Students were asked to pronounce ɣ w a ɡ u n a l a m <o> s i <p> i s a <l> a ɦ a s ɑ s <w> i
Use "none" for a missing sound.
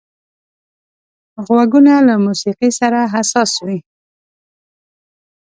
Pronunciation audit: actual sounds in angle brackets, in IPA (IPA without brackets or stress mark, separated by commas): u, q, ɾ, w